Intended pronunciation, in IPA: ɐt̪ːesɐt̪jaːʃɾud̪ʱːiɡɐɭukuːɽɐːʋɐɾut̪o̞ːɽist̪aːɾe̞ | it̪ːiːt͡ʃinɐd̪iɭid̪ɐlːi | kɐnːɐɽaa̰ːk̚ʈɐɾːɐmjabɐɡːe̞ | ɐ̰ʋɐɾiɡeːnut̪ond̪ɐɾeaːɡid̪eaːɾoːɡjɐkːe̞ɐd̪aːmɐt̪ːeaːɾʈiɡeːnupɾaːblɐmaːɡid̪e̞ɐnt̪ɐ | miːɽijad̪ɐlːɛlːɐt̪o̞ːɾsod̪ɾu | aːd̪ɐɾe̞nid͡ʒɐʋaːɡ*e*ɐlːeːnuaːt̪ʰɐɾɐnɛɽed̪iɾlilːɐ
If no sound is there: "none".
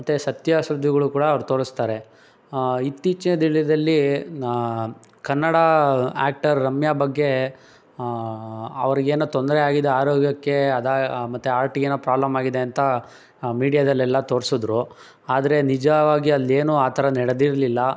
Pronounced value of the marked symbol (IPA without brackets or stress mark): i